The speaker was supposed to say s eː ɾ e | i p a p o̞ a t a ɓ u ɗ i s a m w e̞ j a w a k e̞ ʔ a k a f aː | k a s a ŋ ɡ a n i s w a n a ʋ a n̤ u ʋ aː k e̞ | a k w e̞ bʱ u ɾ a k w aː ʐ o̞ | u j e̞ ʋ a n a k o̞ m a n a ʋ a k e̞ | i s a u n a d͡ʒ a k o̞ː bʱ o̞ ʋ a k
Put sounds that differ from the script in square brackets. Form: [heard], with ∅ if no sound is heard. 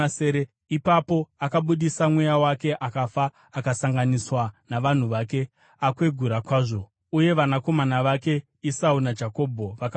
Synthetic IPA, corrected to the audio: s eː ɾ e | i p a p o̞ a [k] a ɓ u ɗ i s a m w e̞ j a w a k e̞ ʔ a k a f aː | k a s a ŋ ɡ a n i s w a n a ʋ a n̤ u ʋ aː k e̞ | a k w e̞ [ɡʱ] u ɾ a k w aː ʐ o̞ | u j e̞ ʋ a n a k o̞ m a n a ʋ a k e̞ | i s a u n a d͡ʒ a k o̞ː bʱ o̞ ʋ a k